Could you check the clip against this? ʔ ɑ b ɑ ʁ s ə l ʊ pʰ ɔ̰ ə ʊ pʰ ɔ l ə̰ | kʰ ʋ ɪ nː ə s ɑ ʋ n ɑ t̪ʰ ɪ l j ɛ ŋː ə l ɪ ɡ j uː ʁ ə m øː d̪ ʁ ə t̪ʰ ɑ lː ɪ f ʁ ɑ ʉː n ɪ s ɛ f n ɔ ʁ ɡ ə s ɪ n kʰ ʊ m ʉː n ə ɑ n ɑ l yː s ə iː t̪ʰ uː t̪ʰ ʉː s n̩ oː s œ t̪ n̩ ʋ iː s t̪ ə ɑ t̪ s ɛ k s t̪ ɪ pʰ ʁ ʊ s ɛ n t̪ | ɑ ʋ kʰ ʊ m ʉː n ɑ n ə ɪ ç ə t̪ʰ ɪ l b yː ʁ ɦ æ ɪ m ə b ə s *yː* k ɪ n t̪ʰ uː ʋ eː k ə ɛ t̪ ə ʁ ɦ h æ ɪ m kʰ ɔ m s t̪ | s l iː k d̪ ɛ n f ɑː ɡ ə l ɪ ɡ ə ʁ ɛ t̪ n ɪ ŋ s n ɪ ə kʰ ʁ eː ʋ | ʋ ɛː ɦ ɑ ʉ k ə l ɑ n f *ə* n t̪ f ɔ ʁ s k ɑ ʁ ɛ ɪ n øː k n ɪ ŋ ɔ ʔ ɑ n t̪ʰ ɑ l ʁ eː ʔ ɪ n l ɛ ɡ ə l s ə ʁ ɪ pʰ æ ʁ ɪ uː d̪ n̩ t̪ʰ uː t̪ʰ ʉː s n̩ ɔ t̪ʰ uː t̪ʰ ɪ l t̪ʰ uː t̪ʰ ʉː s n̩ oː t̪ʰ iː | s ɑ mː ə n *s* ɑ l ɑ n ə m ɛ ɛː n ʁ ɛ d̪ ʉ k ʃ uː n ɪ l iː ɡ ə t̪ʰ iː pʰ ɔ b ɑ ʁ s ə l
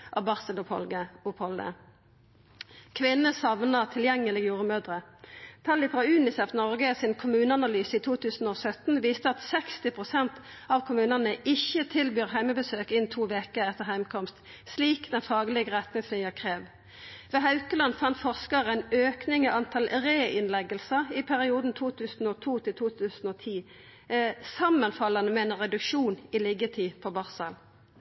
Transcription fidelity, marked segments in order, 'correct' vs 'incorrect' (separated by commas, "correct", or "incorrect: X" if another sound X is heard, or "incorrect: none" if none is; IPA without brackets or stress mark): incorrect: øː, incorrect: ɑ, incorrect: f